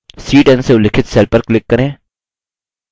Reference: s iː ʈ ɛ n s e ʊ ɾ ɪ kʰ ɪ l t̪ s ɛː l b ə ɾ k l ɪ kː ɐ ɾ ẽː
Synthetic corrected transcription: s iː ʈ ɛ n s e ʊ l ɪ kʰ ɪ t̪ s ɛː l p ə ɾ k l ɪ kː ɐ ɾ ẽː